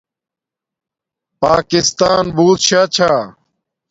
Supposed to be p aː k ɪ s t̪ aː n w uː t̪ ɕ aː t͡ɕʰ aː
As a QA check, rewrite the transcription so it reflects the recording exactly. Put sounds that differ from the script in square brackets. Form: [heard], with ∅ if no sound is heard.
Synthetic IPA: p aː k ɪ s t̪ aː n [b] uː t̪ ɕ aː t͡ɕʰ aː